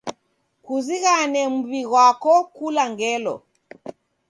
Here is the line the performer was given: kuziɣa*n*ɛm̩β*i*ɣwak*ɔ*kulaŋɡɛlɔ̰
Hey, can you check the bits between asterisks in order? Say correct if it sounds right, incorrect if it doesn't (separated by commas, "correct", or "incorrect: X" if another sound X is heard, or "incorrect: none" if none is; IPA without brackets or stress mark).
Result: correct, correct, correct